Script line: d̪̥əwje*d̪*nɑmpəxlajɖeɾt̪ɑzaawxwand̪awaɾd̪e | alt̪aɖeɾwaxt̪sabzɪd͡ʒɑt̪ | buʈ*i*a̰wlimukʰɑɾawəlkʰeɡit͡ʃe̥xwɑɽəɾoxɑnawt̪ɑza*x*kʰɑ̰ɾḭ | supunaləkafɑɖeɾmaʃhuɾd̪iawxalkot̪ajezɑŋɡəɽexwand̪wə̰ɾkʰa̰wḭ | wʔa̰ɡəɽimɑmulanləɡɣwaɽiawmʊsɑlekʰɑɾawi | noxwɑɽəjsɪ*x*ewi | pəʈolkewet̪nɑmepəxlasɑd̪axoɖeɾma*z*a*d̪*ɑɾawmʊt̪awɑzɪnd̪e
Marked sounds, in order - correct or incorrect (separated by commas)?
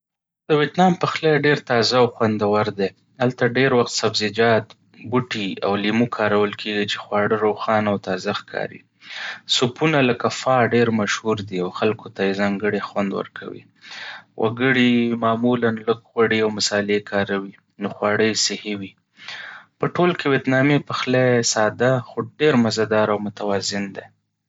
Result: incorrect, correct, correct, incorrect, correct, correct